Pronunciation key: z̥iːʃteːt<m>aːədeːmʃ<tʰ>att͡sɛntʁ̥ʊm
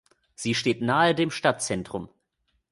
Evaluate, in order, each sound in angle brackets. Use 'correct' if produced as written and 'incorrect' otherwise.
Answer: incorrect: n, incorrect: t

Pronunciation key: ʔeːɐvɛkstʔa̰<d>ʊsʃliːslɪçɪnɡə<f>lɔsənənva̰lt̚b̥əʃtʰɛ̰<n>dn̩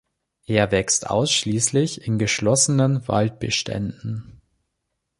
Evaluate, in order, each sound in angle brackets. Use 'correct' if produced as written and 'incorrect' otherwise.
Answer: incorrect: none, incorrect: ʃ, correct

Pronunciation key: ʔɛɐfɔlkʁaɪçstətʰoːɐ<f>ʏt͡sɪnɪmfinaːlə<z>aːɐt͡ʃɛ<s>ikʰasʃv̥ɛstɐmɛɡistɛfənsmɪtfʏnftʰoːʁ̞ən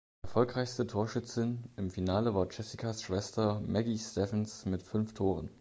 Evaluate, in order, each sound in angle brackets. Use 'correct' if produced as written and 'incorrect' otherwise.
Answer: incorrect: ʃ, incorrect: v, correct

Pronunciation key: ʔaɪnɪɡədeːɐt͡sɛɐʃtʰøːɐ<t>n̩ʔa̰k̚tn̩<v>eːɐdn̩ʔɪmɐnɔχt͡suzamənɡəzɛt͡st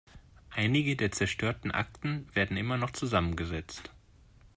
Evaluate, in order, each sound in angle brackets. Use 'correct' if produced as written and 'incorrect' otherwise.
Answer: correct, correct

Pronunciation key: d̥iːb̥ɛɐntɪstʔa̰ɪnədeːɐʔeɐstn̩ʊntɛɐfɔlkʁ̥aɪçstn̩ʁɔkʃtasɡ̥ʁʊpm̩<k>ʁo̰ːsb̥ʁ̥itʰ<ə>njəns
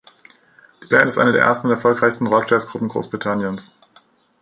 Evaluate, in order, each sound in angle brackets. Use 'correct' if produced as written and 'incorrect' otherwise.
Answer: incorrect: ɡ, incorrect: a

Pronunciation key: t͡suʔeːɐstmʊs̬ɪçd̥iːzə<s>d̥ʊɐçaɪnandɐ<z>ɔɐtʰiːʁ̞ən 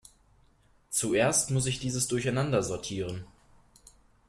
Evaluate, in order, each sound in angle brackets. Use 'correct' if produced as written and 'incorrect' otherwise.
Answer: correct, correct

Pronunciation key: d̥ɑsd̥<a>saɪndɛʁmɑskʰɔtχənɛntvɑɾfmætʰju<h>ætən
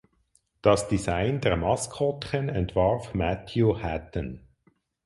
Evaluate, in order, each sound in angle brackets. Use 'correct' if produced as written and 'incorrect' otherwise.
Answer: incorrect: i, correct

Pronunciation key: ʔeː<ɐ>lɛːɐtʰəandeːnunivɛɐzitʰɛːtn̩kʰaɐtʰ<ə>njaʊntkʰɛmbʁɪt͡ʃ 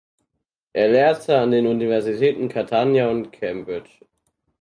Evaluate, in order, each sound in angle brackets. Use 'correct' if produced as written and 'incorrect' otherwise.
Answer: correct, incorrect: a

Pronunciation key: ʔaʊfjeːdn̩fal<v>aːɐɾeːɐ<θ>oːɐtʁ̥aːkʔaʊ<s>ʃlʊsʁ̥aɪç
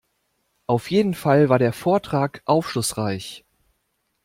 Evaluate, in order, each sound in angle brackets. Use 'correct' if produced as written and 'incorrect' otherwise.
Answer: correct, incorrect: f, incorrect: f

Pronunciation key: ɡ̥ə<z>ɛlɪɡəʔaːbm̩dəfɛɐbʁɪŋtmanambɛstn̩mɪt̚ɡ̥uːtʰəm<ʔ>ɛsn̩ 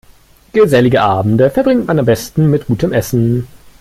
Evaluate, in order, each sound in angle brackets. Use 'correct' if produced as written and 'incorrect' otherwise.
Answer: correct, correct

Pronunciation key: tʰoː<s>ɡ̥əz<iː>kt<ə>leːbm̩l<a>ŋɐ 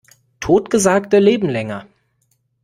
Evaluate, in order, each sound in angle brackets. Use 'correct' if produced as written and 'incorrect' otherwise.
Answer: incorrect: t, incorrect: aː, correct, incorrect: ɛ

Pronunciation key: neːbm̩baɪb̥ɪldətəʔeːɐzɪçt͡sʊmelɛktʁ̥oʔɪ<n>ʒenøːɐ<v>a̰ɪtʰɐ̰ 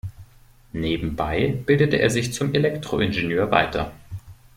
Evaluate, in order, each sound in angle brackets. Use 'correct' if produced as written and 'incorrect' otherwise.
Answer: correct, correct

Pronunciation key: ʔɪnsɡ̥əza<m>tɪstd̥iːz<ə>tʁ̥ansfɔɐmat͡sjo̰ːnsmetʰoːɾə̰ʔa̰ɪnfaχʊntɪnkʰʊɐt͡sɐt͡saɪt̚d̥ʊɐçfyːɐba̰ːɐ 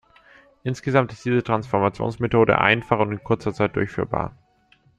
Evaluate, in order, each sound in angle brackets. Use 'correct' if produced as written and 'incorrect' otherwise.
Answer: correct, correct

